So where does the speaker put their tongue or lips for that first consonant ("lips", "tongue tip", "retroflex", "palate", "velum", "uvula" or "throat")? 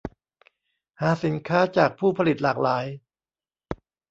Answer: throat